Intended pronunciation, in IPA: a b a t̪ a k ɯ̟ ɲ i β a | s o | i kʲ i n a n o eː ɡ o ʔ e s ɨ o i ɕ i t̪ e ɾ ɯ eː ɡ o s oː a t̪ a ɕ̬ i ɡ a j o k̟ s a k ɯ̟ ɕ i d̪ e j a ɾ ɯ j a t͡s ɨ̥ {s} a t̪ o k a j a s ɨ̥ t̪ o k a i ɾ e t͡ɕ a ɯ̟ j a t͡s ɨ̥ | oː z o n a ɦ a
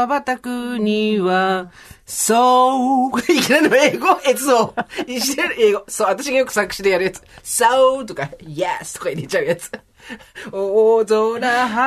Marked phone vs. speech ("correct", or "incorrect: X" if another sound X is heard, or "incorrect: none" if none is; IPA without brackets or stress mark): correct